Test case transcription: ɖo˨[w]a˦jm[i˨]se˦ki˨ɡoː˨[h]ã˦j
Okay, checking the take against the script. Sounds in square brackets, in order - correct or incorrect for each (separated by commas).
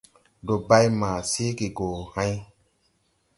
incorrect, incorrect, correct